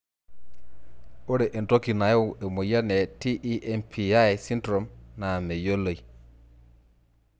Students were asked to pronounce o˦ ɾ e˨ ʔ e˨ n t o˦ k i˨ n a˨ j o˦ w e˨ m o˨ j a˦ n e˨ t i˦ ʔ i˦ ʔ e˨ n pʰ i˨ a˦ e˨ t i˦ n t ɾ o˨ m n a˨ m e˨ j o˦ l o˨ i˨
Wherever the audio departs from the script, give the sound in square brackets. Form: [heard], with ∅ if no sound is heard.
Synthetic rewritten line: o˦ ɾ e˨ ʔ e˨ n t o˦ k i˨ n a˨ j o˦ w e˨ m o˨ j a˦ n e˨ t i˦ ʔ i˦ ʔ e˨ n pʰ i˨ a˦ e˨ [s] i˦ n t ɾ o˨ m n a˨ m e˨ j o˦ l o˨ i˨